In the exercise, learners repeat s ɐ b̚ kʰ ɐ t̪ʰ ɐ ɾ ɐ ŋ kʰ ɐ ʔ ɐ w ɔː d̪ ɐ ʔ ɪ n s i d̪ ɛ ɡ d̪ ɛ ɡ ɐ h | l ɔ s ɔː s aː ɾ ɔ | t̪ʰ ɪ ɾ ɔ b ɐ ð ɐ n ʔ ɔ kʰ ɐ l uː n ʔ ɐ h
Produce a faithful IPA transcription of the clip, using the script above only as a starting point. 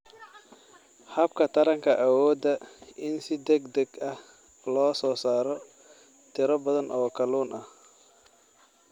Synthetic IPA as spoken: h ɐ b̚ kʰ ɐ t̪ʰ ɐ ɾ ɐ ŋ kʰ ɐ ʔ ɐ w ɔː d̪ ɐ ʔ ɪ n s ɪ d̪ ɛ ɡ d̪ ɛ ɡ ɐ h | l ɔː s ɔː s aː ɾ ɔ | t̪ʰ ɪ ɾ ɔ b ɐ ð ɐ n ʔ ɔː kʰ ɐ l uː n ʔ ɐ h